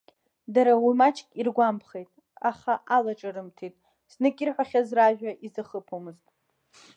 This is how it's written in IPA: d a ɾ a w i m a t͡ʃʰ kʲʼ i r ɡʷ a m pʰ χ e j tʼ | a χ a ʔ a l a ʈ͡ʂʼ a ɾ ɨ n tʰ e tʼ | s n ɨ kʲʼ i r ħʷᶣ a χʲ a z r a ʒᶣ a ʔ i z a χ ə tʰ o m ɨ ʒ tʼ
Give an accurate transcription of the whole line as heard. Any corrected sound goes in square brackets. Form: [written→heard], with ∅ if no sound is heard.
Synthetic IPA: d a ɾ a w i m a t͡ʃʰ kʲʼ i r ɡʷ a m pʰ χ e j tʼ | a χ a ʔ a l a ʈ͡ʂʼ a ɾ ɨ [n→m] tʰ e tʼ | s n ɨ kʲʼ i r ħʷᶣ a χʲ a z r a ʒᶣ a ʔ i z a χ ə [tʰ→pʰ] o m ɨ [ʒ→z] tʼ